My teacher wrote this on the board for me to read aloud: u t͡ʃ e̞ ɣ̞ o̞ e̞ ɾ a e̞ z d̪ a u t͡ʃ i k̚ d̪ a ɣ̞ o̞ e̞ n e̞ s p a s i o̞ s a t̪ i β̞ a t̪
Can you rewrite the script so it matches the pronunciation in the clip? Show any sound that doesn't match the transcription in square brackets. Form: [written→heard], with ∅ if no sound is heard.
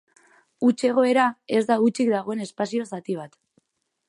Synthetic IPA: u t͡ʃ e̞ ɣ̞ o̞ e̞ ɾ a e̞ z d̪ a u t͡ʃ i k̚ d̪ a ɣ̞ o̞ e̞ n e̞ s p a s i o̞ s a t̪ i β̞ a t̪